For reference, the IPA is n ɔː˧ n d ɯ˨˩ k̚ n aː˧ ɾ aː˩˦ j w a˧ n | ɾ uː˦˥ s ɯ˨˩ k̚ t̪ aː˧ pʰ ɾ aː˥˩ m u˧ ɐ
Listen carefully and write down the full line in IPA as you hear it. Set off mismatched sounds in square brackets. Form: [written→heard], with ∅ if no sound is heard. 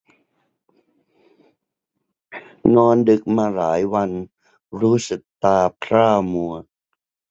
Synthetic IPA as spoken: n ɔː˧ n d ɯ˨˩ k̚ [n→m] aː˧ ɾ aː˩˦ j w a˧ n | ɾ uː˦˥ s ɯ˨˩ k̚ t̪ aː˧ pʰ ɾ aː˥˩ m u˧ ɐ